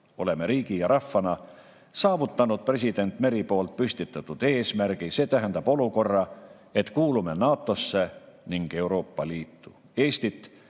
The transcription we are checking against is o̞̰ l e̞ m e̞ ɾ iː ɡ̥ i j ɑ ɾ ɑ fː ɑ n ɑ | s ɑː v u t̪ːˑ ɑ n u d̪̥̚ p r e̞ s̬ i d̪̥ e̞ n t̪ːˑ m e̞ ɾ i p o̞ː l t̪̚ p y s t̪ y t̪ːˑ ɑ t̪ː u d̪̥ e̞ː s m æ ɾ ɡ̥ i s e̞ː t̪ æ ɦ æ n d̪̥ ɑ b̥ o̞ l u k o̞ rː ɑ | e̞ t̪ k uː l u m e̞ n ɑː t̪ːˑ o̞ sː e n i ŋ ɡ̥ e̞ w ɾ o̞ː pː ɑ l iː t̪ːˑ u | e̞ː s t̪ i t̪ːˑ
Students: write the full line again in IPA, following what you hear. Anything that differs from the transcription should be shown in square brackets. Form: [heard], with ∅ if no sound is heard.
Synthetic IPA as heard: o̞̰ l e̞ m e̞ ɾ iː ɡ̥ i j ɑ ɾ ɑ fː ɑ n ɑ | s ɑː v u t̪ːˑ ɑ n u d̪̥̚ p r e̞ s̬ i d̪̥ e̞ n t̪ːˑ m e̞ ɾ i p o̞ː l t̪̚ p y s t̪ [i] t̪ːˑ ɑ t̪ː u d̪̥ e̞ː s m æ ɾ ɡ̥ i s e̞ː t̪ æ ɦ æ n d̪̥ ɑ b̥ o̞ l u k o̞ rː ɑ | e̞ t̪ k uː l u m e̞ n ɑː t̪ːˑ o̞ sː e n i ŋ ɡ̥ e̞ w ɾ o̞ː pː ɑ l iː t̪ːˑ u | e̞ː s t̪ i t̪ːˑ